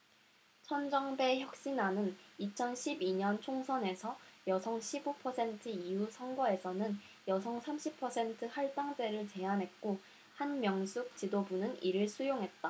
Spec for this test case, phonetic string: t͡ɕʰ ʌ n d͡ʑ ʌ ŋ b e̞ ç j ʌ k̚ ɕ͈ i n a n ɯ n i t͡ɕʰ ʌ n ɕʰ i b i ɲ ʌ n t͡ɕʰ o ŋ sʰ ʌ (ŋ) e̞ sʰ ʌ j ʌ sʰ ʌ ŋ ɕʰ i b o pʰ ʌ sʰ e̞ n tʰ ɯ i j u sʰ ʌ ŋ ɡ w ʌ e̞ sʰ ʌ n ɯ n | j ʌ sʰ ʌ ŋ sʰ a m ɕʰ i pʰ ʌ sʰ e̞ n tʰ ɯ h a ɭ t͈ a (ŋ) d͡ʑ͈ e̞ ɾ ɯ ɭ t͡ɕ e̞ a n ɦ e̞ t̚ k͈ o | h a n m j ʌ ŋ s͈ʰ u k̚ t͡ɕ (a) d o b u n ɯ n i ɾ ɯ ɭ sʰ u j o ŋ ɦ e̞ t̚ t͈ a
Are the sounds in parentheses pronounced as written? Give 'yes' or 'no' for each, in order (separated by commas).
no, yes, no